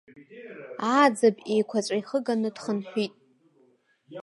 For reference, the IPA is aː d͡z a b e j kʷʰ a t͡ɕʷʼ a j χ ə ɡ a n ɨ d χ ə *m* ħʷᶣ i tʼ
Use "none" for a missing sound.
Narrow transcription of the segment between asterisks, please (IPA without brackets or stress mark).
n